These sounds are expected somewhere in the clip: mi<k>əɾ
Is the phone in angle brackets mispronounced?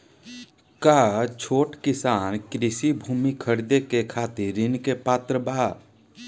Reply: yes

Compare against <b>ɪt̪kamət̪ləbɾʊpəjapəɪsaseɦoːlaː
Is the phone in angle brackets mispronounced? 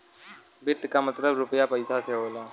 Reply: no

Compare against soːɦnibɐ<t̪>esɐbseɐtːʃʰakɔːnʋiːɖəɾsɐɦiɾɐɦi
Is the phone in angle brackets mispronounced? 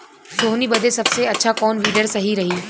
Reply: yes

